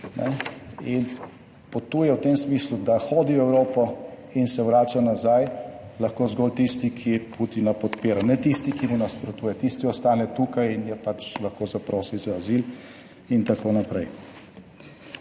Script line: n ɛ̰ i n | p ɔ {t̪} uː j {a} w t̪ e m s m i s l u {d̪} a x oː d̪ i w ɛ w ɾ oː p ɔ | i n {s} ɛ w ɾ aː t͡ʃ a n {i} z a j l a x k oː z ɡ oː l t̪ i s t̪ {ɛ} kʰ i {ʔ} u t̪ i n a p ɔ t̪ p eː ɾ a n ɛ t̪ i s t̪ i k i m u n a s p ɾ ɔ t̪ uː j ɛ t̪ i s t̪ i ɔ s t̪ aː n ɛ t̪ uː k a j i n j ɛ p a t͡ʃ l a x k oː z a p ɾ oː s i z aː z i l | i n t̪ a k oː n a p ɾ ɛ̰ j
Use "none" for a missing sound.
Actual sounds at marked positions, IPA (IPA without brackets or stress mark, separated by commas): t̪, ɛ, d̪, s, a, i, p